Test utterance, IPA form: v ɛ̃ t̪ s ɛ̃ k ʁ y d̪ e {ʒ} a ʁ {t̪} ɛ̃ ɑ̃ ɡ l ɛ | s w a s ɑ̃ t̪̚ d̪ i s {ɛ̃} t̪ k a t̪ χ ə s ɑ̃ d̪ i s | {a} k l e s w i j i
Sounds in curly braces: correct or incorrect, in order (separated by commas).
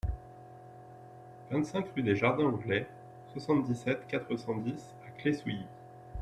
correct, incorrect, incorrect, correct